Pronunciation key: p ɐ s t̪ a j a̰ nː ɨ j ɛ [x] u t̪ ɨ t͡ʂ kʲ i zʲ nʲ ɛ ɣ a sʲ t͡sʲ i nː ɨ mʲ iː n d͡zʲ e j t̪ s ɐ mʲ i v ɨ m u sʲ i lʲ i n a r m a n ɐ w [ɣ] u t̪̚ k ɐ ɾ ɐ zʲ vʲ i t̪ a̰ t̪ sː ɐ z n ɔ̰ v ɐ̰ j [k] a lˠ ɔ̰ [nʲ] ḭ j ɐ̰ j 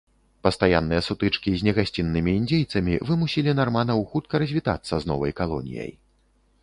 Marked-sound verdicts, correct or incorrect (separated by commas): incorrect, incorrect, correct, correct